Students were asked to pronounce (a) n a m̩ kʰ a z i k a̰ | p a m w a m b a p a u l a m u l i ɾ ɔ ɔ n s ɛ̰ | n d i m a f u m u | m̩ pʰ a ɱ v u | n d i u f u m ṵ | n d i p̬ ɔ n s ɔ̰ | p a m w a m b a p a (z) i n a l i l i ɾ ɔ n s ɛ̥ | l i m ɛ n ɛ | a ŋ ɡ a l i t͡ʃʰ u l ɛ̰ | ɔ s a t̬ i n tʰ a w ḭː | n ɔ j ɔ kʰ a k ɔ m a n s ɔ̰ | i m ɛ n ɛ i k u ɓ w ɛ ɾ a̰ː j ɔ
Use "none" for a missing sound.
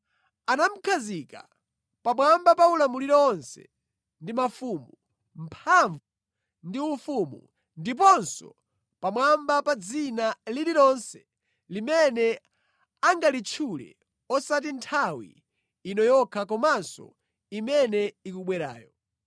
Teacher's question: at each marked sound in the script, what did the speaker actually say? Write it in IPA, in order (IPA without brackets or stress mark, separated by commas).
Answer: a, d͡z